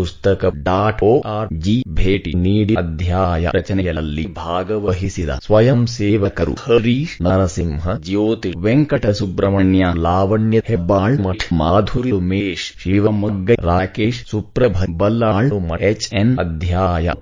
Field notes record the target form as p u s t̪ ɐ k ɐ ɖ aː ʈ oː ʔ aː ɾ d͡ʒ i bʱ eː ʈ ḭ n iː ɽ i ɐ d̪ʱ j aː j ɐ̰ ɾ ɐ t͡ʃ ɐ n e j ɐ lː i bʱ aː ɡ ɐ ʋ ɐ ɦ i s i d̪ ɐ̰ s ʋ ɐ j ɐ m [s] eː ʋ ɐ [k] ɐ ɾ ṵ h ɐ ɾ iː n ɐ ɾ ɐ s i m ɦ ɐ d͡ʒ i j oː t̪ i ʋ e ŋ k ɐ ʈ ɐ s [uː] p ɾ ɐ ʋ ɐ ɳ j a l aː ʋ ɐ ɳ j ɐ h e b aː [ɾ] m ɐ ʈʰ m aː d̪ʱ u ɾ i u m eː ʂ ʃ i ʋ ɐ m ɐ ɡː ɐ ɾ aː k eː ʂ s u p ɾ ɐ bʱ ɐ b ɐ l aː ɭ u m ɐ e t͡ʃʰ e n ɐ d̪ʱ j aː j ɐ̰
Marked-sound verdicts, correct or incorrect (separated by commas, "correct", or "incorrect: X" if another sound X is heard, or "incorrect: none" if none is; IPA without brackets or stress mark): correct, correct, incorrect: u, incorrect: ɭ